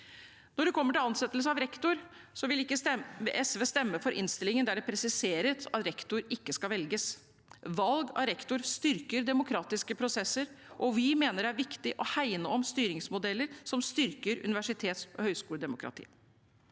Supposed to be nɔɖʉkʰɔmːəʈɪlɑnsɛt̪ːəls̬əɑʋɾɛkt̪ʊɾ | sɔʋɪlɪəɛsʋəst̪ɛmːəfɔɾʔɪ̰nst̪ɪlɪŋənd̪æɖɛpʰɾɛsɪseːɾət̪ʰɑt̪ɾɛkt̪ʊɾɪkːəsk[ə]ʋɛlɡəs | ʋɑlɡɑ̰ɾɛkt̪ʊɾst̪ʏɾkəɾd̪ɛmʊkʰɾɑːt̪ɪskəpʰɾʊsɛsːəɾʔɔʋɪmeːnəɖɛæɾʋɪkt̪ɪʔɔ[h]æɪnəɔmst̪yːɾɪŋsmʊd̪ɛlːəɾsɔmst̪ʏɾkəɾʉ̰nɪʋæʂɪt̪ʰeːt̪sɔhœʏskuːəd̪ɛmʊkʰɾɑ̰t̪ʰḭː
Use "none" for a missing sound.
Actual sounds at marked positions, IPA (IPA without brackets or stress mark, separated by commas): ɑ, h